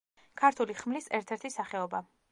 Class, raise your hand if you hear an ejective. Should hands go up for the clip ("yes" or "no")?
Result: no